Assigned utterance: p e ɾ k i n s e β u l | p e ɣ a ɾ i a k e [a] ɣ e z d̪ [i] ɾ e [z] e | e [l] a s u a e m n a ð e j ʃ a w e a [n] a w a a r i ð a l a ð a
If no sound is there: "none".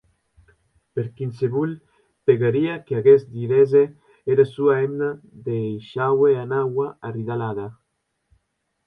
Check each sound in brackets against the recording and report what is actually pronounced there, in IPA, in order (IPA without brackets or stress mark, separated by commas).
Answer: a, i, z, ɾ, n